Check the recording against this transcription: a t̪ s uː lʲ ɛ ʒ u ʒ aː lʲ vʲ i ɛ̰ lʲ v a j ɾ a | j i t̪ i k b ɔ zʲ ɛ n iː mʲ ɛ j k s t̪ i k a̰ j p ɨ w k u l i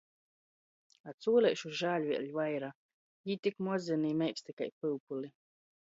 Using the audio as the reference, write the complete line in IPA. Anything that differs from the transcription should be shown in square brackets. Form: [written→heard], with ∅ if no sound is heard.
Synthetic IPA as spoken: a t̪ s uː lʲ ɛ [ʒ→ʃ] u ʒ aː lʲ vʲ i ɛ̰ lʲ v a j ɾ a | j i t̪ i k [b→m] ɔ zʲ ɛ n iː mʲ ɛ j k s t̪ i k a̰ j p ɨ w [k→p] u l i

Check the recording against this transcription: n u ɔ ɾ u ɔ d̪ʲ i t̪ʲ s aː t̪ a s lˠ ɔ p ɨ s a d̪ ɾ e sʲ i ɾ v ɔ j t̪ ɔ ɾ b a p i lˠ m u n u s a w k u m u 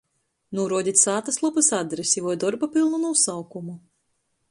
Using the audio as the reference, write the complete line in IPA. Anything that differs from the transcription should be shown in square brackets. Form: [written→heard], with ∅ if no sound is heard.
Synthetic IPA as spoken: n u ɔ ɾ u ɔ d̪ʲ i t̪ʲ s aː t̪ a s lˠ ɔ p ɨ s a d̪ ɾ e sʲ i [ɾ→∅] v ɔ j [t̪→d̪] ɔ ɾ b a p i lˠ [m→n] u n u s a w k u m u

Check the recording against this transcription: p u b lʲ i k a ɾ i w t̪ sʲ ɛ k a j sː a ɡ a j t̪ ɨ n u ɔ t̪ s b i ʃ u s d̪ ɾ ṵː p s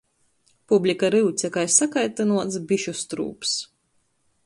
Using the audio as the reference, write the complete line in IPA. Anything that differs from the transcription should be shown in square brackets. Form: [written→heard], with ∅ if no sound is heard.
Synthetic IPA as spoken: p u b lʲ i k a ɾ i w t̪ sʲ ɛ k a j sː a [ɡ→k] a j t̪ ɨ n u ɔ t̪ s b i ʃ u s [d̪→t̪] ɾ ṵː p s

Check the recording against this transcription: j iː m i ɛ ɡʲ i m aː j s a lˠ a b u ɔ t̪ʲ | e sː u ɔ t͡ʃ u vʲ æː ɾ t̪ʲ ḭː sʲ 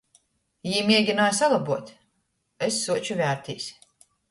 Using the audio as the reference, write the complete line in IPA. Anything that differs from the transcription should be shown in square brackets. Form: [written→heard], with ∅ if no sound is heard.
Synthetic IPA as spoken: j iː m i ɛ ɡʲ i [m→n] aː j s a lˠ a b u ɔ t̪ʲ | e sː u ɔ t͡ʃ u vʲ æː ɾ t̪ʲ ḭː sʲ

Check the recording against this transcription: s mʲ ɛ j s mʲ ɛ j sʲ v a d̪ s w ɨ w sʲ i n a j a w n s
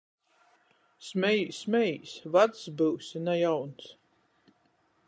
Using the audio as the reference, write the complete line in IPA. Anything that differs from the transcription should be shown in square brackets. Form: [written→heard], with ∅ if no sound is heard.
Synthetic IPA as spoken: s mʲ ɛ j s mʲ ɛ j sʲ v a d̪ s [w→b] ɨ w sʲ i n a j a w n s

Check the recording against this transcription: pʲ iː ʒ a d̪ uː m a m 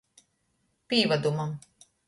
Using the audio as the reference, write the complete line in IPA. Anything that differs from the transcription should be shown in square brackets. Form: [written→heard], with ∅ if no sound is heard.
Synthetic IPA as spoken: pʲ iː [ʒ→v] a d̪ [uː→u] m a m

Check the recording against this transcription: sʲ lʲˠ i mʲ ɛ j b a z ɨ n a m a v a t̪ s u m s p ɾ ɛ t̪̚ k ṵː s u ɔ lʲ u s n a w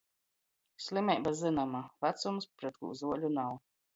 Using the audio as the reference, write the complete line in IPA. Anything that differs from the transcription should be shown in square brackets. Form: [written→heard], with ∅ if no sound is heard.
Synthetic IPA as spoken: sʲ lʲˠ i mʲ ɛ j b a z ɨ n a m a v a t̪ s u m s p ɾ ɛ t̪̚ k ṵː [s→z] u ɔ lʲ u [s→∅] n a w

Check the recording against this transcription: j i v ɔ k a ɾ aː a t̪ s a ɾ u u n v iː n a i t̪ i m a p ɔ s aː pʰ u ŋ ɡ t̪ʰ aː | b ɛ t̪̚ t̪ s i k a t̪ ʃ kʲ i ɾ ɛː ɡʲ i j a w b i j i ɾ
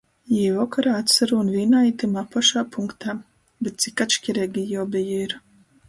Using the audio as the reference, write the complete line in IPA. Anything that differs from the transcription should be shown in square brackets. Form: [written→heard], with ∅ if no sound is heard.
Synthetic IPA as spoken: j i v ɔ k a ɾ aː a t̪ s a ɾ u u n v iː n a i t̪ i m a p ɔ [s→ʃ] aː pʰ u ŋ [ɡ→k] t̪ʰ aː | b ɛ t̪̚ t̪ s i k a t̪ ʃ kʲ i ɾ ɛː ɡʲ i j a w b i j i ɾ

